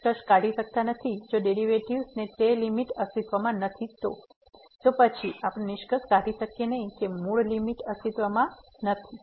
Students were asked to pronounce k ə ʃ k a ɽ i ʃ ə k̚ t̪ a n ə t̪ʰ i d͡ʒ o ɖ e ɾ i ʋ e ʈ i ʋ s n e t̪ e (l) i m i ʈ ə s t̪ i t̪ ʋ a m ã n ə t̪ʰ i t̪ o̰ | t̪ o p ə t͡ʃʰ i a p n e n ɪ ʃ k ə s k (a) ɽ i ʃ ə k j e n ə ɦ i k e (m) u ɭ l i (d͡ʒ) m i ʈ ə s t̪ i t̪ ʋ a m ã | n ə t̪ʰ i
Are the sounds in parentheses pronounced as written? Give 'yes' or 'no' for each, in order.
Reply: yes, yes, yes, no

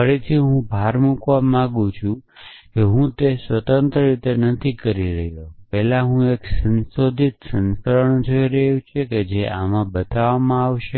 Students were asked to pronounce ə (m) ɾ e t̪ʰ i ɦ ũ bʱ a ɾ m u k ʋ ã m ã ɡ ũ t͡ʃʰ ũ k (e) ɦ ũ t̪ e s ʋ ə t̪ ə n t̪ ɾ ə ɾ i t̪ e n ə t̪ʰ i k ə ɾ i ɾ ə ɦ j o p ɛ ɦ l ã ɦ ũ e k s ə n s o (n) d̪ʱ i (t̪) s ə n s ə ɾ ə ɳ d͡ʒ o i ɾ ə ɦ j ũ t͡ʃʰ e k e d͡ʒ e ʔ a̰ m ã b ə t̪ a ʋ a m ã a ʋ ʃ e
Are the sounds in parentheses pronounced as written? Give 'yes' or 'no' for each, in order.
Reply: no, yes, no, yes

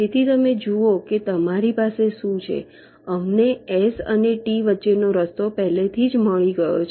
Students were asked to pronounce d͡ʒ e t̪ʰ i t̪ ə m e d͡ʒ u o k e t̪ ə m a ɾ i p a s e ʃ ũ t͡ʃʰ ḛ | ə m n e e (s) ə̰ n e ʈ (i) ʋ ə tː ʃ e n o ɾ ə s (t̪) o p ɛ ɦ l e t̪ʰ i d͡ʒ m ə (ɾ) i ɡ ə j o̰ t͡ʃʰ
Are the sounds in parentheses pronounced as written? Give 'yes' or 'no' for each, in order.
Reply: yes, yes, yes, no

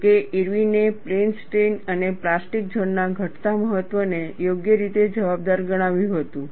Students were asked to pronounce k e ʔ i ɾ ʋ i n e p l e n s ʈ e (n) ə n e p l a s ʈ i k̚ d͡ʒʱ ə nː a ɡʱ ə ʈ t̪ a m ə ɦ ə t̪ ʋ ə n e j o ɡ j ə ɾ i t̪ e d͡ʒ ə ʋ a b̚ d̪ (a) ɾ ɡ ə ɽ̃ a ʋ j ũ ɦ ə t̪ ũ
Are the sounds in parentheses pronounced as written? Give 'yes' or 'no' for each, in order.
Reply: yes, yes

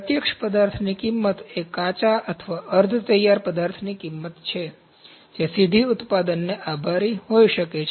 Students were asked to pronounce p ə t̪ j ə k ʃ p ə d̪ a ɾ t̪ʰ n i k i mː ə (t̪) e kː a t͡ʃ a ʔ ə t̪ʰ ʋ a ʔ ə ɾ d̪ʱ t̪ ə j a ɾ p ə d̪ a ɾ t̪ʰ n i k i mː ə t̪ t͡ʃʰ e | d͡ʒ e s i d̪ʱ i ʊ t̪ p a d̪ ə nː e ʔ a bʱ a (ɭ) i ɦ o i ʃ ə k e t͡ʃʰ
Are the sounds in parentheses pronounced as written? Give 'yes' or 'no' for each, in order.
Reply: yes, no

